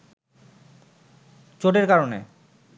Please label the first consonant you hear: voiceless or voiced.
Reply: voiceless